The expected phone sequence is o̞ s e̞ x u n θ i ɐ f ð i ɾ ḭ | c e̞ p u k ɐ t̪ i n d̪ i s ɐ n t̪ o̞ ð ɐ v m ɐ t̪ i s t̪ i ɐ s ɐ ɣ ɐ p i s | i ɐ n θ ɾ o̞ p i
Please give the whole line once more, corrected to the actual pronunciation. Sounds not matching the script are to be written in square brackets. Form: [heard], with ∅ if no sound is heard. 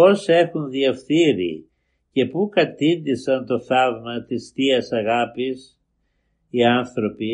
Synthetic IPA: o̞ s e̞ x u n [ð] i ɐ f [θ] i ɾ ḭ | c e̞ p u k ɐ t̪ i n d̪ i s ɐ n t̪ o̞ [θ] ɐ v m ɐ t̪ i s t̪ i ɐ s ɐ ɣ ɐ p i s | i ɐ n θ ɾ o̞ p i